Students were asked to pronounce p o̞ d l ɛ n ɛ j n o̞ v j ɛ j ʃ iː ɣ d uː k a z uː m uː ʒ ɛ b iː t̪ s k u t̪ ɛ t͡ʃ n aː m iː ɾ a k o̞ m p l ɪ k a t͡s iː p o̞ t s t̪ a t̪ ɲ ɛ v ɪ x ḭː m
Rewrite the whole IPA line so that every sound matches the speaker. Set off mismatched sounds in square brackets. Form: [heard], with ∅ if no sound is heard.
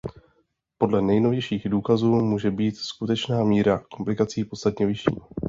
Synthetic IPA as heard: p o̞ d l ɛ n ɛ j n o̞ v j ɛ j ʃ iː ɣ d uː k a z uː m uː ʒ ɛ b iː t̪ s k u t̪ ɛ t͡ʃ n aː m iː ɾ a k o̞ m p l ɪ k a t͡s iː p o̞ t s t̪ a t̪ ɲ ɛ v ɪ [ʃ] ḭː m